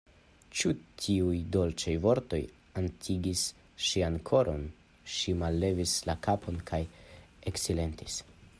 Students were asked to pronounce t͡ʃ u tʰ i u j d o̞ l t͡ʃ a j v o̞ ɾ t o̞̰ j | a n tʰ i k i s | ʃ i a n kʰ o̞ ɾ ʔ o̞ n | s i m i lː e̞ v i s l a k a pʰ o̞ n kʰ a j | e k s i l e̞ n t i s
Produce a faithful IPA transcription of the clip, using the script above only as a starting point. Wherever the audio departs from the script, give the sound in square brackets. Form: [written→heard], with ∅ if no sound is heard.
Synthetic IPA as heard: t͡ʃ u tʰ i u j d o̞ l t͡ʃ a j v o̞ ɾ t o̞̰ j | a n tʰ i [k→ɡ] i s | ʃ i a n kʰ o̞ ɾ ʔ o̞ n | [s→ʃ] i m [i→a] lː e̞ v i s l a k a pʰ o̞ n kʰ a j | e k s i l e̞ n t i s